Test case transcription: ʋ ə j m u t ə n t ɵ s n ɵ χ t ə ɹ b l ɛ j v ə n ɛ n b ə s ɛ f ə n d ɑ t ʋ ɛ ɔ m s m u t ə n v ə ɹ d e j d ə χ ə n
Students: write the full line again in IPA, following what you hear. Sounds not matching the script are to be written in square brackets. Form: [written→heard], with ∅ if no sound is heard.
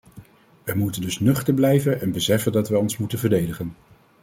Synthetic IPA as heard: ʋ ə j m u t ə n [t→d] ɵ s n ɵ χ t ə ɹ b l ɛ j v ə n ɛ n b ə s ɛ f ə n d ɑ t ʋ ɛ ɔ [m→n] s m u t ə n v ə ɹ d e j d ə χ ə n